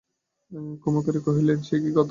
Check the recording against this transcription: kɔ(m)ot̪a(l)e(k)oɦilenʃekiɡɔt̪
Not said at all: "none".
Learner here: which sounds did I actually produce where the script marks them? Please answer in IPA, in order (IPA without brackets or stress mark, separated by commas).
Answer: m, ɾ, k